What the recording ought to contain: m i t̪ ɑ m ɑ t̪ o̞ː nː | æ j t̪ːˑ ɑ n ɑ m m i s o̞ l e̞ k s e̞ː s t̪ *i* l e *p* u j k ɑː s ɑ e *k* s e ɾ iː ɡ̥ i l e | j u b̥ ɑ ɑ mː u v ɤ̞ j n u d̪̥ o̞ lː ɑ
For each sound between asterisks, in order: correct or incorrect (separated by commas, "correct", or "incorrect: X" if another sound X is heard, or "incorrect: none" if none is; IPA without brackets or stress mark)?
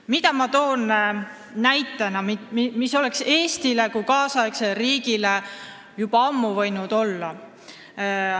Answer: correct, incorrect: k, correct